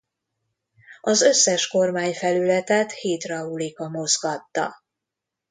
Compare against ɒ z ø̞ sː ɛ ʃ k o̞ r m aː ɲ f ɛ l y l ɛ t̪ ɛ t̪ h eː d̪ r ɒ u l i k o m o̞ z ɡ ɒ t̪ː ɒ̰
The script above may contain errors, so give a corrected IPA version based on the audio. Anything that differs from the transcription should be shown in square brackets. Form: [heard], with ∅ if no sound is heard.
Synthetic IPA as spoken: ɒ z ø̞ sː ɛ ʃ k o̞ r m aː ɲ f ɛ l y l ɛ t̪ ɛ t̪ h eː [t̪] r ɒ u l i k [ɒ] m o̞ z ɡ ɒ t̪ː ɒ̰